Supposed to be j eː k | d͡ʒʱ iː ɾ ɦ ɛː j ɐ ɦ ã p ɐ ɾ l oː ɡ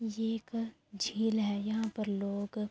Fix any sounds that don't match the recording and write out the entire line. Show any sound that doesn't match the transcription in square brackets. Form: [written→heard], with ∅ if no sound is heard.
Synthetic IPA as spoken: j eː k | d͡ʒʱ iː [ɾ→l] ɦ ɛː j ɐ ɦ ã p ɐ ɾ l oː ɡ